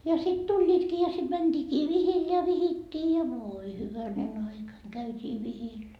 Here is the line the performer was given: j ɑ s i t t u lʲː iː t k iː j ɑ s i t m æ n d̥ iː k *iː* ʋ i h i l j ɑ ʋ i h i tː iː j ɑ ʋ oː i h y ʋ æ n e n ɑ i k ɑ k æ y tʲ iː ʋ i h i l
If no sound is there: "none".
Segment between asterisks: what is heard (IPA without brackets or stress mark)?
iː